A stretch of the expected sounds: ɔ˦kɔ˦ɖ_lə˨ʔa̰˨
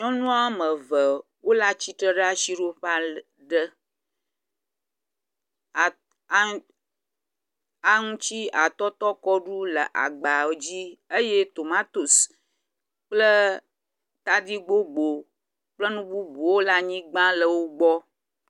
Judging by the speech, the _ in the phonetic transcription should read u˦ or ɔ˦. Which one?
u˦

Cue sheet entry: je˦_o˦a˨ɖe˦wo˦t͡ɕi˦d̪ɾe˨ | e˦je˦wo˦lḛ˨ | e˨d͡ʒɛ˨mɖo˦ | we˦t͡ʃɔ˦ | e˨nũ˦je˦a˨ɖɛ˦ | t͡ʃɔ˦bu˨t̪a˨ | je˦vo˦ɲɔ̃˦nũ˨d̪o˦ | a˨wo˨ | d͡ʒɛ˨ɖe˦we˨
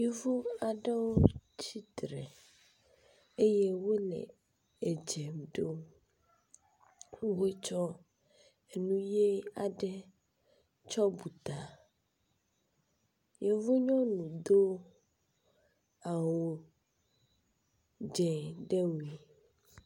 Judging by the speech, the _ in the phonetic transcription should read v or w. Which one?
v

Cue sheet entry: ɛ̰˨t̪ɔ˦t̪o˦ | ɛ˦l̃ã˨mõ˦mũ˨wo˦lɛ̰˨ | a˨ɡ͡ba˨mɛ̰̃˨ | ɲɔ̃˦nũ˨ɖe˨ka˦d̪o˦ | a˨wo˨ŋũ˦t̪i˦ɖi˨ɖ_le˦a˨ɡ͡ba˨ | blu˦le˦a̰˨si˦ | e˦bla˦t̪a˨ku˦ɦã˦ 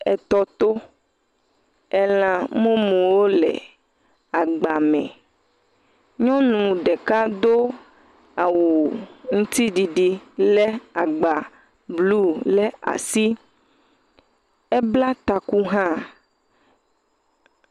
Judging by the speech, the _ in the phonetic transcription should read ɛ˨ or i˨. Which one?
i˨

